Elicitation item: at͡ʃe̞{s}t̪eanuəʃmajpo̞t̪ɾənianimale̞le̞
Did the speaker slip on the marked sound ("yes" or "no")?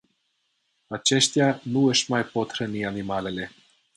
yes